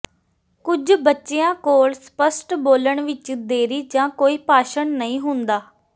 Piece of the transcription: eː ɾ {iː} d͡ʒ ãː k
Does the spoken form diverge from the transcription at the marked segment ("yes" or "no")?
no